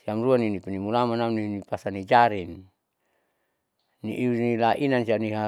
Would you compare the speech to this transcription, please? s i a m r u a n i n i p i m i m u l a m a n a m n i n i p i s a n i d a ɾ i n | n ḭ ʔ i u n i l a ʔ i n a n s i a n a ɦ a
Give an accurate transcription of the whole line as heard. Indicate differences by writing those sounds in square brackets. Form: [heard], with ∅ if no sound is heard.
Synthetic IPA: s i a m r u a n i n i p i [n] i m u l a m a n a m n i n i p [a] s a n i [d͡ʒ] a ɾ i n | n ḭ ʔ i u n i l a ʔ i n a n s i a n [i] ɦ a